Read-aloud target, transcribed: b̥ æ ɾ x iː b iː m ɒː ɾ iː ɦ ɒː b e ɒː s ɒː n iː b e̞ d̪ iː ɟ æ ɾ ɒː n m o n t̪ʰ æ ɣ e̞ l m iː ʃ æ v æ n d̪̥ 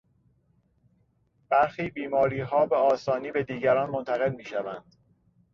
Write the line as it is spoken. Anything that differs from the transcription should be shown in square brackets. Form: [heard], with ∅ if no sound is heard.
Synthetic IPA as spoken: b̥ æ ɾ x iː b iː m ɒː ɾ iː ɦ ɒː b e ɒː s ɒː n iː b e̞ d̪ iː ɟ æ ɾ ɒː n m o n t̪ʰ æ ɣ e̞ l m iː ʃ æ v æ n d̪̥